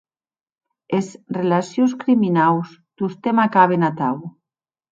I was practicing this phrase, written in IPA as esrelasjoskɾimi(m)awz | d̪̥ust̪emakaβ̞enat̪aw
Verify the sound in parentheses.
incorrect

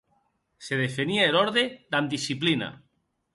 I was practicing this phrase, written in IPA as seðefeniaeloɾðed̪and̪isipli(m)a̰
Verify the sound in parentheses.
incorrect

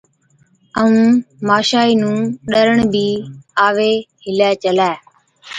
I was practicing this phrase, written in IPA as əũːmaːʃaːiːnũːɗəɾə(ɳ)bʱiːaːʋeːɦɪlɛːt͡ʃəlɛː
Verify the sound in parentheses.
correct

